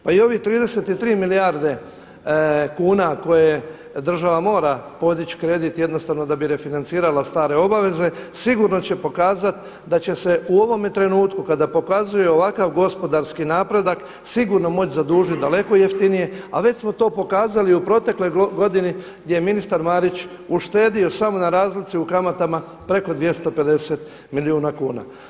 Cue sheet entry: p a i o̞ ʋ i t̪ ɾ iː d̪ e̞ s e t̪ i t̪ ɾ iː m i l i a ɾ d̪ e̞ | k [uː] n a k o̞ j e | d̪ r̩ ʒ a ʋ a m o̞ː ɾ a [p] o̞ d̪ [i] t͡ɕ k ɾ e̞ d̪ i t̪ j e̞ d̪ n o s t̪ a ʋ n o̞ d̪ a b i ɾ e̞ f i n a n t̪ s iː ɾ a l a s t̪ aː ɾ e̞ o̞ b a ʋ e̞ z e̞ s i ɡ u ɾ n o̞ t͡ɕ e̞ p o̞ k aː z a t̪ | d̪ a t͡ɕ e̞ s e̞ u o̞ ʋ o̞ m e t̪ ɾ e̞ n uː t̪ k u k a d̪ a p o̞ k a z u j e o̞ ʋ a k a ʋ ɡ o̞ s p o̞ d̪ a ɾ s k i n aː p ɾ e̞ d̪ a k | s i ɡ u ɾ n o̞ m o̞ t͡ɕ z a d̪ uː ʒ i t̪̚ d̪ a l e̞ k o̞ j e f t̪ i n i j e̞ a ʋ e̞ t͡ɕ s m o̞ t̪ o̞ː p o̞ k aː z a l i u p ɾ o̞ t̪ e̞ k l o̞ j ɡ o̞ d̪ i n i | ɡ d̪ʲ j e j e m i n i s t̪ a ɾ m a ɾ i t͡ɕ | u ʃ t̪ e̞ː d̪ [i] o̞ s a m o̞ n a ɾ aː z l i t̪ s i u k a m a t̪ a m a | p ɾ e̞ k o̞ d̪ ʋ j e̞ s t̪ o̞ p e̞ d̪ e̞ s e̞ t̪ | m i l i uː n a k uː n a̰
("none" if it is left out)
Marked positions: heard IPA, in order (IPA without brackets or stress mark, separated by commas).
uː, p, i, i